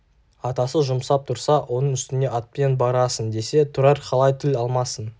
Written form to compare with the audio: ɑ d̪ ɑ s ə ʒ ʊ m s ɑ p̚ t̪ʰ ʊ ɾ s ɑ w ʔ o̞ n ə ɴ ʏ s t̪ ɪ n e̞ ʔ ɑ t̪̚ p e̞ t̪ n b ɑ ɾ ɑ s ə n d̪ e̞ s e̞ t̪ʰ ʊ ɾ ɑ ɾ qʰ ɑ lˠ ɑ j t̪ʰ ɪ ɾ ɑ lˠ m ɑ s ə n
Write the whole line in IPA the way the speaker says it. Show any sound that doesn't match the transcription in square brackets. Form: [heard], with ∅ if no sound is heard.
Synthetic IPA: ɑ [t̪] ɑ s ə ʒ ʊ m s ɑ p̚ t̪ʰ ʊ ɾ s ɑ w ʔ o̞ n ə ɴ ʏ s t̪ ɪ n e̞ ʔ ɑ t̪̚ p e̞ [∅] n b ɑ ɾ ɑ s ə n d̪ e̞ s e̞ t̪ʰ ʊ ɾ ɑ ɾ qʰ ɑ lˠ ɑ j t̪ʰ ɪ [l] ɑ lˠ m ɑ s ə n